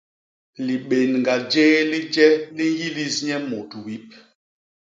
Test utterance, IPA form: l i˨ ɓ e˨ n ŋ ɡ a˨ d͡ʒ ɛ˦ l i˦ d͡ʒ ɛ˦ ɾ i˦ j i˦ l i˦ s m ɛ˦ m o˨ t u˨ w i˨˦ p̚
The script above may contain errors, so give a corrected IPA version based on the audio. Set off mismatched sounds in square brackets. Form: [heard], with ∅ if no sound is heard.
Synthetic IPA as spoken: l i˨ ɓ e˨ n ŋ ɡ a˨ d͡ʒ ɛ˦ l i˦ d͡ʒ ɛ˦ [l] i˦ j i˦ l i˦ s [ɲ] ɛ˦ m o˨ t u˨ w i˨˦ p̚